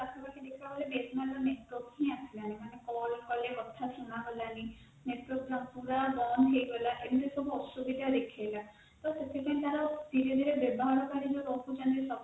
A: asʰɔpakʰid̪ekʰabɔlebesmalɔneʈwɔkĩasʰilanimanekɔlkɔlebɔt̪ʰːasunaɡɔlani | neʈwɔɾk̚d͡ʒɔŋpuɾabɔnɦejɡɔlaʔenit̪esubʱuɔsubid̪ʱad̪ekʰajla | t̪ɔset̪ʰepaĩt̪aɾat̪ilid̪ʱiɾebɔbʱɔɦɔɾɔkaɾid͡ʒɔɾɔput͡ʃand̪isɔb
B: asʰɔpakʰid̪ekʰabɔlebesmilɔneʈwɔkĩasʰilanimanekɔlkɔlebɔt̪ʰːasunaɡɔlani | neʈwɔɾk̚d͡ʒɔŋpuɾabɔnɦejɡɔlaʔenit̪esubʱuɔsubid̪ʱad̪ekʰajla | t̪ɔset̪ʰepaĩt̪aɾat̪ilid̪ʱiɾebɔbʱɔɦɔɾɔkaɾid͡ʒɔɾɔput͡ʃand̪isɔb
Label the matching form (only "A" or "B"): A